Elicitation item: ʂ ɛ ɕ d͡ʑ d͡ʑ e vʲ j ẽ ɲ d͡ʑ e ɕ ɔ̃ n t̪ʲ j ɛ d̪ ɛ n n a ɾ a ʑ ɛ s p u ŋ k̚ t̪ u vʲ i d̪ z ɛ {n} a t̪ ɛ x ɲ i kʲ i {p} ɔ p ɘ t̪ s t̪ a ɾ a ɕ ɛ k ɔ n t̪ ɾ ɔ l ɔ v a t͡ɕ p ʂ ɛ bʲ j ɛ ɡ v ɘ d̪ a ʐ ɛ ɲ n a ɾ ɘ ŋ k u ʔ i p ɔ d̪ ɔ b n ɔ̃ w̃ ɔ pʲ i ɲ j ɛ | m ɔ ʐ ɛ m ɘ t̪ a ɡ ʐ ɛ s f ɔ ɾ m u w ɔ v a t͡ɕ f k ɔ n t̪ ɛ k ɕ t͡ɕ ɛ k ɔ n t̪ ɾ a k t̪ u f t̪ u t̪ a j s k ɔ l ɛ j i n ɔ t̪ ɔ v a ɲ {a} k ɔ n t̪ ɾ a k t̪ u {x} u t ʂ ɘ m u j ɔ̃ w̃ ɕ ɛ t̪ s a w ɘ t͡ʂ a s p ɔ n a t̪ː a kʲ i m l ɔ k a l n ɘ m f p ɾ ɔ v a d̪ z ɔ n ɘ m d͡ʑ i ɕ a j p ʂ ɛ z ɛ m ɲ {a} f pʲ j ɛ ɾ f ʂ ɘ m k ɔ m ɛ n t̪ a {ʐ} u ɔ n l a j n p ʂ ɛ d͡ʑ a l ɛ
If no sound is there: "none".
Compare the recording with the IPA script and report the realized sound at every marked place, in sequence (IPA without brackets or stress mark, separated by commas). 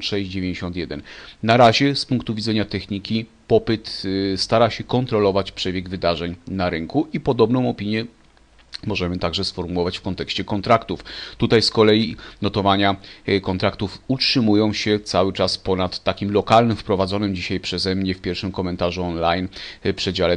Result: ɲ, p, a, f, ɛ, ʐ